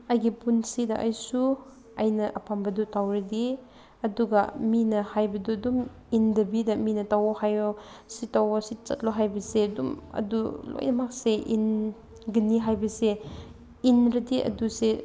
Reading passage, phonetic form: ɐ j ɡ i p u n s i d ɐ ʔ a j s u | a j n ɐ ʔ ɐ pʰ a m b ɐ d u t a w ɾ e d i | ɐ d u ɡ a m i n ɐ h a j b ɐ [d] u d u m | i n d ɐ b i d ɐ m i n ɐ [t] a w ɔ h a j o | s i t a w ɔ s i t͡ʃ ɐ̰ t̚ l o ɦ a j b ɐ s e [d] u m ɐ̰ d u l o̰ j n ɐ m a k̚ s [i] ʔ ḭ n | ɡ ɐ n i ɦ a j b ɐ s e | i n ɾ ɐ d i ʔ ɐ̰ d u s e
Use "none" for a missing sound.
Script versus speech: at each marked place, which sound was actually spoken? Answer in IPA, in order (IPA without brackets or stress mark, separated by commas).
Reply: d, t, d, e